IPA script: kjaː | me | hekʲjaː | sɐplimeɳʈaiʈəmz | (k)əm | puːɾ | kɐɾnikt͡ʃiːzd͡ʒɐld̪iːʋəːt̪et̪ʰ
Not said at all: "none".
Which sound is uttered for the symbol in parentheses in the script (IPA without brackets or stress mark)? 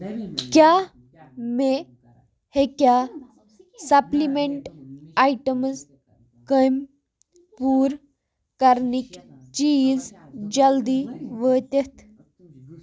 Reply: k